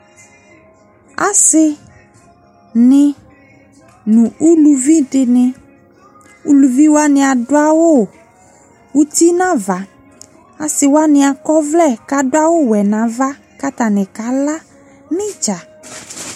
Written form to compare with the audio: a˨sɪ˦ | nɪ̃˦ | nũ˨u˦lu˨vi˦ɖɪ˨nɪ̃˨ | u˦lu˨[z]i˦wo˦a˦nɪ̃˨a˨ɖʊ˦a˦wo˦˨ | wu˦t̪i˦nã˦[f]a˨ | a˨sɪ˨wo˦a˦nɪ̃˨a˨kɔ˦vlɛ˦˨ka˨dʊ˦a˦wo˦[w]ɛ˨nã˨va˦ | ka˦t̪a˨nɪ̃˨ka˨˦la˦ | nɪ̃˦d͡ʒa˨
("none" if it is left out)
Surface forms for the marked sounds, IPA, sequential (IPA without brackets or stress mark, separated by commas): v, v, w